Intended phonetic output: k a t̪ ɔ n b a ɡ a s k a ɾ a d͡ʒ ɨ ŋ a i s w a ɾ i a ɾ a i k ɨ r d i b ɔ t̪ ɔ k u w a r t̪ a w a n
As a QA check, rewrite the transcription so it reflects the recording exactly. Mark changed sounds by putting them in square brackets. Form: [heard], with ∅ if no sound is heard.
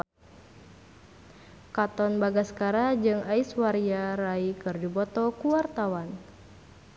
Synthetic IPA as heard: k a t̪ ɔ n b a ɡ a s k a ɾ a d͡ʒ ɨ ŋ a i s w a ɾ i a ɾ a i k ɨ r d i b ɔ t̪ ɔ k u w a r t̪ a w a n